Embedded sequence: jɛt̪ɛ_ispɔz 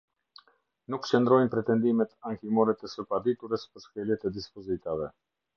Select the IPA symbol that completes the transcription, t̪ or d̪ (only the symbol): d̪